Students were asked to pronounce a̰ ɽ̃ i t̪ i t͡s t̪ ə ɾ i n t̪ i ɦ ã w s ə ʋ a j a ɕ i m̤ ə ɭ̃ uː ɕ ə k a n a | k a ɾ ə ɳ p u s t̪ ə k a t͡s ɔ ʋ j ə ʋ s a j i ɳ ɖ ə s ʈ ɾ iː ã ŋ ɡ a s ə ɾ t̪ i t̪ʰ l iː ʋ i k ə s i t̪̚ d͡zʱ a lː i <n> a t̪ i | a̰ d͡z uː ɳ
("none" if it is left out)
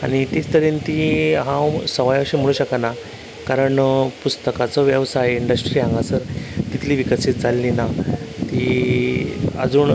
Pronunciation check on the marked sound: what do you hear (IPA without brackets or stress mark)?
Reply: n